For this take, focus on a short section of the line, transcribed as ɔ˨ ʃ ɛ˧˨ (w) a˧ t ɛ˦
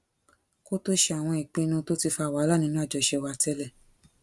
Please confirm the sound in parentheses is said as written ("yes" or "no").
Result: yes